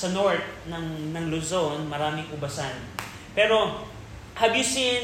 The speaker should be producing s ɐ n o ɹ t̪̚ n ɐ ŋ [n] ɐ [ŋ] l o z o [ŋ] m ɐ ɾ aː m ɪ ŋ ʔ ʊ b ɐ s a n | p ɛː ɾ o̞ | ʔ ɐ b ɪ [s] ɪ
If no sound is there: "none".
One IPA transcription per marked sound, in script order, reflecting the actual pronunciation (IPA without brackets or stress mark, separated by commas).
n, ŋ, n, s